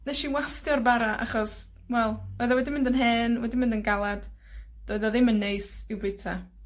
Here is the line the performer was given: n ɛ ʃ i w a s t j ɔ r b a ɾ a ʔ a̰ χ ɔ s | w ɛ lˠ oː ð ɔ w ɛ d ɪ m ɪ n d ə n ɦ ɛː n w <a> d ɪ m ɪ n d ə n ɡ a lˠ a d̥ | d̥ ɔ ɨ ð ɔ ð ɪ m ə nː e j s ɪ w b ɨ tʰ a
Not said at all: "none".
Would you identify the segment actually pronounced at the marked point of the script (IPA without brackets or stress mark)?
ɛ